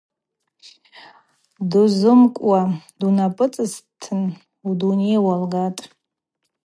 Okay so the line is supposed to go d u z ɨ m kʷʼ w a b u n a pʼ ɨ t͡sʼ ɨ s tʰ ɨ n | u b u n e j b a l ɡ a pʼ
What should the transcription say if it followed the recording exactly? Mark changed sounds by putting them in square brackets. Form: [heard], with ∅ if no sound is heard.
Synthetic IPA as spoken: d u z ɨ m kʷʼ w a [d] u n a pʼ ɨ t͡sʼ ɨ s tʰ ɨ n | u [d] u n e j [w] a l ɡ a [tʼ]